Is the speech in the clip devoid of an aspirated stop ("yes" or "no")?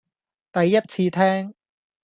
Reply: no